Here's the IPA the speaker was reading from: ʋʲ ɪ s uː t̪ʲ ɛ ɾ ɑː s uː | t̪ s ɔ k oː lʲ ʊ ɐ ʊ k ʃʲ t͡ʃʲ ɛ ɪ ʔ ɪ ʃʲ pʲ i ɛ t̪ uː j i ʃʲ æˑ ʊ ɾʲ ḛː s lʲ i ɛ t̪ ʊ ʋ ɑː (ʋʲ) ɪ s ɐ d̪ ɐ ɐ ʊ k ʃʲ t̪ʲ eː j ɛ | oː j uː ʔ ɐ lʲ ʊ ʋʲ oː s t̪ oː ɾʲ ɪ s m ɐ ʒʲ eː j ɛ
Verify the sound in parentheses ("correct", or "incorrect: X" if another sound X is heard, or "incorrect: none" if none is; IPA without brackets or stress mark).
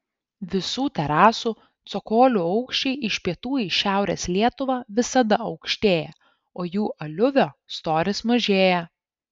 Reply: correct